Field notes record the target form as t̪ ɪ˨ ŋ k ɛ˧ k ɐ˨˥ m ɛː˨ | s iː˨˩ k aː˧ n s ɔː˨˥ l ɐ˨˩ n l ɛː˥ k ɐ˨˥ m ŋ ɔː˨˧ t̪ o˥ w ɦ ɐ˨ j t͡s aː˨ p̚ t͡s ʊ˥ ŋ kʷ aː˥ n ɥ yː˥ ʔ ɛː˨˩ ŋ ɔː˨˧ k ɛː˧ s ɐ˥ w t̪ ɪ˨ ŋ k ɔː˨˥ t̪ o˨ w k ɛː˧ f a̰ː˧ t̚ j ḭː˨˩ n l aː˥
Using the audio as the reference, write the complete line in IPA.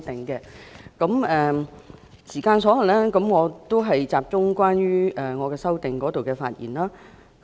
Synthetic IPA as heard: t̪ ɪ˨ ŋ k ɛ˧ k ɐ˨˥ m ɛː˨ | s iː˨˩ k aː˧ n s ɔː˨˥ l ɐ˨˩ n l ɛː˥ k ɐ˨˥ m ŋ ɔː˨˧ t̪ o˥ w ɦ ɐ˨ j t͡s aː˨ p̚ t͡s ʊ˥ ŋ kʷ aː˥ n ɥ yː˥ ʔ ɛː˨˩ ŋ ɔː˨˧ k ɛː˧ s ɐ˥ w t̪ ɪ˨ ŋ k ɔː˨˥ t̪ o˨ w k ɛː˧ f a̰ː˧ t̚ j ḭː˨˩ n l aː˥